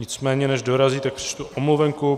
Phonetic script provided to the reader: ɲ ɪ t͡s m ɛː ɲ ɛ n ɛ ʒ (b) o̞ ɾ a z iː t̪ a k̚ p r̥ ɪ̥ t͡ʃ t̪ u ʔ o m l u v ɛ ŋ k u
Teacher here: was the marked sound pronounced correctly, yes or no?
no